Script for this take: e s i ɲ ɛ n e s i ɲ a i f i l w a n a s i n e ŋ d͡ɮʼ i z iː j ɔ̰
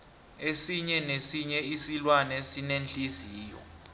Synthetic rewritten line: e s i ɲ ɛ n e s i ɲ ɛ i s i l w a n ɛ s i n e n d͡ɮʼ i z iː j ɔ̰